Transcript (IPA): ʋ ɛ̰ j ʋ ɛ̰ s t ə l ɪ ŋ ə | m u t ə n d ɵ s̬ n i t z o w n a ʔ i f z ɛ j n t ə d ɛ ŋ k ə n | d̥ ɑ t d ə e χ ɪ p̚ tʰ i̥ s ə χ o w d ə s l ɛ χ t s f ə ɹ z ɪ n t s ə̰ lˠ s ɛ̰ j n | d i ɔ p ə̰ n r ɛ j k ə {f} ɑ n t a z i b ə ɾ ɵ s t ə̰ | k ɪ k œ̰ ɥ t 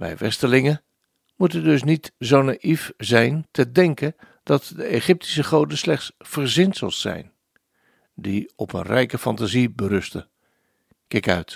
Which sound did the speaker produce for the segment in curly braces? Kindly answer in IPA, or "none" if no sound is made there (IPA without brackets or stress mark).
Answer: f